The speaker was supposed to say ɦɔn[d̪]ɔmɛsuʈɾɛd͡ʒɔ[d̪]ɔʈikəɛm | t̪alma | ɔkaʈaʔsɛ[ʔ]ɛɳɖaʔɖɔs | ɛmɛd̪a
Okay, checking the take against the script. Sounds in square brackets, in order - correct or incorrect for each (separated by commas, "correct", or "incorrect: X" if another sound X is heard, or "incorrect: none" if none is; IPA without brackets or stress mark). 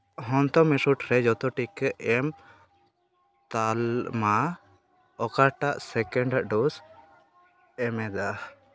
incorrect: t̪, incorrect: t̪, incorrect: k